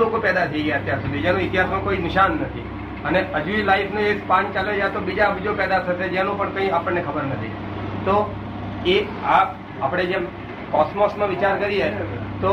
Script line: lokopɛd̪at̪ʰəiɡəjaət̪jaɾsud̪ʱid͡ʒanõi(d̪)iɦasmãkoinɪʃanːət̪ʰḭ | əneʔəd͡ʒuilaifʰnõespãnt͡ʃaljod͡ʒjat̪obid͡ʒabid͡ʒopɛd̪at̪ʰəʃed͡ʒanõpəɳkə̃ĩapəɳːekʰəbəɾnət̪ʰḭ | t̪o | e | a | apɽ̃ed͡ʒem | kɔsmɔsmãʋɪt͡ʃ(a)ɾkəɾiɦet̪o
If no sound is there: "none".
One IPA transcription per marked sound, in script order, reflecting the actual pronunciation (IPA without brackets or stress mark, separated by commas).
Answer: t̪, a